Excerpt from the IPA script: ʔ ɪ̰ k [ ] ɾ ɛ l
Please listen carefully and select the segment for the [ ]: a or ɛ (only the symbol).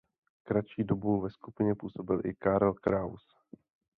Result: a